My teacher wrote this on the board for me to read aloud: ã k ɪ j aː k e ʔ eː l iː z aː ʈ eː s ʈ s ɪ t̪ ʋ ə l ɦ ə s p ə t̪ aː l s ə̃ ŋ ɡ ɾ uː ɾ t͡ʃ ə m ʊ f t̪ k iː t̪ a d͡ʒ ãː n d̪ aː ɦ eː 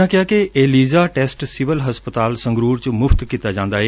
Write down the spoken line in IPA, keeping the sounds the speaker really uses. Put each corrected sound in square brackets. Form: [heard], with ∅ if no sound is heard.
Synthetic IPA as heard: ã k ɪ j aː k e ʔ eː l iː z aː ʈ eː s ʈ s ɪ [∅] ʋ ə l ɦ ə s p ə t̪ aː l s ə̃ ŋ ɡ ɾ uː ɾ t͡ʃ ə m ʊ f t̪ k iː t̪ a d͡ʒ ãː n d̪ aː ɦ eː

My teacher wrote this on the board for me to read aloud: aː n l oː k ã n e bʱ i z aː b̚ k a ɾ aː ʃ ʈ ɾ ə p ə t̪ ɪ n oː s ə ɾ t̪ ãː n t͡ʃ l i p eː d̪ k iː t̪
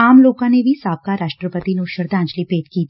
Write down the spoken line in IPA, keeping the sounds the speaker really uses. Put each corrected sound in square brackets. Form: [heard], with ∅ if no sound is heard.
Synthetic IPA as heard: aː [m] l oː k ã n e bʱ i [s] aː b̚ k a ɾ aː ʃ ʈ ɾ ə p ə t̪ [i] n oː [ʃ] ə ɾ [d̪] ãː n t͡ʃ l i p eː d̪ k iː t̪

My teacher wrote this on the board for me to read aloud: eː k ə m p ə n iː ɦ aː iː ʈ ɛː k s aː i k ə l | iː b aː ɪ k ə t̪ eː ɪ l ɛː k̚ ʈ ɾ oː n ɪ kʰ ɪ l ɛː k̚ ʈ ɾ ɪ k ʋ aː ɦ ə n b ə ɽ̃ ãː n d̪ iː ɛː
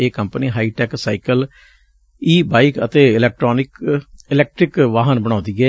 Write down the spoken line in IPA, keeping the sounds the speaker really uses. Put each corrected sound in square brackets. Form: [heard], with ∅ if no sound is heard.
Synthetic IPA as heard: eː k ə m p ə n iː ɦ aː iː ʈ ɛː k s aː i k ə l | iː b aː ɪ k ə t̪ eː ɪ l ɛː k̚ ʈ ɾ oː n ɪ [k] ɪ l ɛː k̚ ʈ ɾ ɪ k ʋ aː ɦ ə n b ə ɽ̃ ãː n d̪ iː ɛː

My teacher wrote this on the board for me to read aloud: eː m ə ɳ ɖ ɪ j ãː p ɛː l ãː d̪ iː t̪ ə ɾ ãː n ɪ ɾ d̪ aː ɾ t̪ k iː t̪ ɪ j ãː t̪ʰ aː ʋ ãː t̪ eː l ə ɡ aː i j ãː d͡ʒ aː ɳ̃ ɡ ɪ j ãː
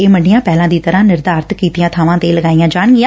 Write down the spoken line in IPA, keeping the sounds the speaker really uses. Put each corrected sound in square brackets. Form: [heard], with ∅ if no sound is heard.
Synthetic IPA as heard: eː m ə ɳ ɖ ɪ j ãː p ɛː l ãː d̪ iː t̪ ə ɾ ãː n ɪ ɾ d̪ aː ɾ t̪ k iː t̪ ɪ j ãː t̪ʰ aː ʋ ãː t̪ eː l ə ɡ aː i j ãː d͡ʒ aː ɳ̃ ɡ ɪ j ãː

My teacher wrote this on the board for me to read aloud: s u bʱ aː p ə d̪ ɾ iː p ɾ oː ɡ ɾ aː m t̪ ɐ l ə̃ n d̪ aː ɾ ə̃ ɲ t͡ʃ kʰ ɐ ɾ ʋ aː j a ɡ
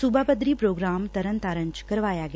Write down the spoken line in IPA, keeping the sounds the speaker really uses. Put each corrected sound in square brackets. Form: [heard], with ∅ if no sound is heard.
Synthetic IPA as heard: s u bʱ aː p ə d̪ ɾ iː p ɾ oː ɡ ɾ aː m t̪ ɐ [ɾ] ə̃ n [t̪] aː ɾ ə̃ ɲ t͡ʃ [k] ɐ ɾ ʋ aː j a ɡ

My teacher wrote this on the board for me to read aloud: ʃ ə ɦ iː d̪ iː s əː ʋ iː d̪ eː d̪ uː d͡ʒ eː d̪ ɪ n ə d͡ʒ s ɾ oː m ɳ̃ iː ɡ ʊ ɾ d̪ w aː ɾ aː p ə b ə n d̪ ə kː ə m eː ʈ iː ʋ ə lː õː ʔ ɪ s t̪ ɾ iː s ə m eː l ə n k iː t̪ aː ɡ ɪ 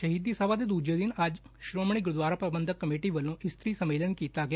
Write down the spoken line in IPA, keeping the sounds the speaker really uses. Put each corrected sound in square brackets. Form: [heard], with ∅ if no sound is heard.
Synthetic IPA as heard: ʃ ə ɦ iː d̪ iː s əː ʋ [aː] d̪ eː d̪ uː d͡ʒ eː d̪ ɪ n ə d͡ʒ [ʃ] ɾ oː m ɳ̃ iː ɡ ʊ ɾ d̪ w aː ɾ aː p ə b ə n d̪ ə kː ə m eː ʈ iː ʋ ə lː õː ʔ ɪ s t̪ ɾ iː s ə m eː l ə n k iː t̪ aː ɡ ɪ

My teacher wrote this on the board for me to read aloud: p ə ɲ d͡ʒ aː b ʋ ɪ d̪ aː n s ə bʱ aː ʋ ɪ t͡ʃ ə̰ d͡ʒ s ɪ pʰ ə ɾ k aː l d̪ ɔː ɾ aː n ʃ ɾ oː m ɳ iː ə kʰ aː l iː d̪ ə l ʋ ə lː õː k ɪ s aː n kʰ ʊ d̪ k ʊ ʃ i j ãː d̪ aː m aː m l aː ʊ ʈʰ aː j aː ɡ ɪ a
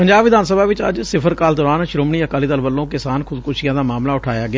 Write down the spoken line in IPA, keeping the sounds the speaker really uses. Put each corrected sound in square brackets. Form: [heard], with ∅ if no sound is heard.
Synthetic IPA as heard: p ə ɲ d͡ʒ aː b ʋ ɪ d̪ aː n s ə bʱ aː ʋ ɪ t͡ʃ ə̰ d͡ʒ s ɪ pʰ ə ɾ k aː l d̪ ɔː ɾ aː n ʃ ɾ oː m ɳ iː ə [k] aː l iː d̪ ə l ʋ ə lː õː k ɪ s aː n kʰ ʊ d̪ k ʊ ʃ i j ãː d̪ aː m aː m l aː ʊ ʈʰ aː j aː ɡ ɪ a

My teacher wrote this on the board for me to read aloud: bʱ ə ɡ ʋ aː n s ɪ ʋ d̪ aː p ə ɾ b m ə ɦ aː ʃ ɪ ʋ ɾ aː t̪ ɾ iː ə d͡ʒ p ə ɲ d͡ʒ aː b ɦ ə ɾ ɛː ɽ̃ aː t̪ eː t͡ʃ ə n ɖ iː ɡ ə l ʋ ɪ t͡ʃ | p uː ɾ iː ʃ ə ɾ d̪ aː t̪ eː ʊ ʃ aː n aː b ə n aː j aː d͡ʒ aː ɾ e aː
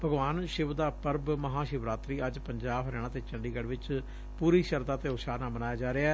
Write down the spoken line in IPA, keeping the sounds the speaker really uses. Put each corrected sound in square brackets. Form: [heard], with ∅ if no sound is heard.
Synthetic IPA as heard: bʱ ə ɡ ʋ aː n [ʃ] ɪ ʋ d̪ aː p ə ɾ b m ə ɦ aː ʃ ɪ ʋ ɾ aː t̪ ɾ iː ə d͡ʒ p ə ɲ d͡ʒ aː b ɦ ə ɾ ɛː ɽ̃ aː t̪ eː t͡ʃ ə [ɳ] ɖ iː ɡ ə [ɽ] ʋ ɪ t͡ʃ | p uː ɾ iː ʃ ə ɾ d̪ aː t̪ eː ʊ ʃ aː n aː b ə n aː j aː d͡ʒ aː ɾ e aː

